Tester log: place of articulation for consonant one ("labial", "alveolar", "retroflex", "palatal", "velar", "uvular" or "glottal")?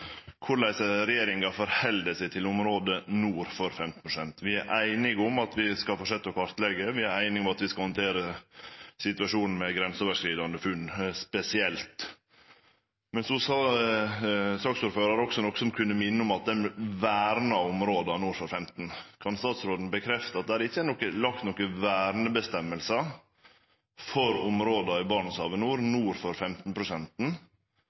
velar